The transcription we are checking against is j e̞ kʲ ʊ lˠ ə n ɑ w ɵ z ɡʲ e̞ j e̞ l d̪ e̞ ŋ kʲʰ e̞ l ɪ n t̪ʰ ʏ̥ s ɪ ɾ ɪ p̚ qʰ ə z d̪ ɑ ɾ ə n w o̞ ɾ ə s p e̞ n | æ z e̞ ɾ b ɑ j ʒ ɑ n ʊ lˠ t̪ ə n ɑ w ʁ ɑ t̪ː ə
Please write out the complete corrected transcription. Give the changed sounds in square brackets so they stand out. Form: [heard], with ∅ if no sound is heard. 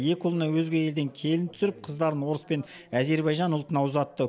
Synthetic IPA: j e̞ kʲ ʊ lˠ ə n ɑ w ɵ z ɡʲ e̞ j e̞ l d̪ e̞ ŋ kʲʰ e̞ l ɪ n t̪ʰ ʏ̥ s ɪ ɾ ɪ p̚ qʰ ə z d̪ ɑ ɾ ə n w o̞ ɾ ə s p e̞ n | æ z e̞ ɾ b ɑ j ʒ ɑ n ʊ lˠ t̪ ə n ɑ w [z] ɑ t̪ː ə